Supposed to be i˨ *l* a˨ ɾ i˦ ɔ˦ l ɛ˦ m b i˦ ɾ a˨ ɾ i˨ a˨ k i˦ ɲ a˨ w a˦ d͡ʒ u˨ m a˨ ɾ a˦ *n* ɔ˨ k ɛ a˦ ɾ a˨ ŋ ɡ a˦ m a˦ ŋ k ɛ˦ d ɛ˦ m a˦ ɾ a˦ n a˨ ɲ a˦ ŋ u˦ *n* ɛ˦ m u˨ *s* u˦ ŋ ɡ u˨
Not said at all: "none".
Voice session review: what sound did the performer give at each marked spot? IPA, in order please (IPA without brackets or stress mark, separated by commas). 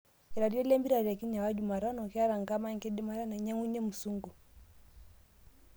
ɾ, n, ɲ, s